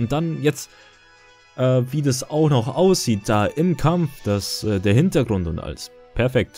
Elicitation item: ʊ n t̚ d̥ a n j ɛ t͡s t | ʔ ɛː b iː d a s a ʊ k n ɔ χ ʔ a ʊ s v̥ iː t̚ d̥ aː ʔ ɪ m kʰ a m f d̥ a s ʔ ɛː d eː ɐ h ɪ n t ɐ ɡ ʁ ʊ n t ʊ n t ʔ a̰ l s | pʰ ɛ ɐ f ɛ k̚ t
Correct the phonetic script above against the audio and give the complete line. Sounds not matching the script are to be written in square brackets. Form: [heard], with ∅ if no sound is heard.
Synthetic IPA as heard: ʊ n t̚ d̥ a n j ɛ t͡s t | ʔ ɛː [v] iː d a s a ʊ [x] n ɔ χ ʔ a ʊ s [z̥] iː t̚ d̥ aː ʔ ɪ m kʰ a m f d̥ a s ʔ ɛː d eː ɐ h ɪ n t ɐ ɡ ʁ ʊ n t ʊ n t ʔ a̰ l s | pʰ ɛ ɐ f ɛ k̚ t